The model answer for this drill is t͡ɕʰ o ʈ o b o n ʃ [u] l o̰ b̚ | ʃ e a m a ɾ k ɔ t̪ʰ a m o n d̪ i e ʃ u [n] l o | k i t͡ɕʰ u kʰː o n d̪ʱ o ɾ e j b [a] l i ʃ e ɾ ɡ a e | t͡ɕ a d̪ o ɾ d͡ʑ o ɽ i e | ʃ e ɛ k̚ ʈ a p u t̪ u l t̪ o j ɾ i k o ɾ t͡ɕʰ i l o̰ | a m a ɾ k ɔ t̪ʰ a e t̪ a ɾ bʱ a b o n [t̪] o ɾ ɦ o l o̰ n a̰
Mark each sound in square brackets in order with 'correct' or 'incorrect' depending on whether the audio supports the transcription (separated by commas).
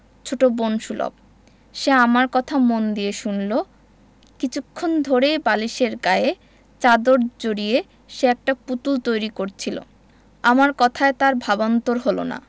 correct, correct, correct, correct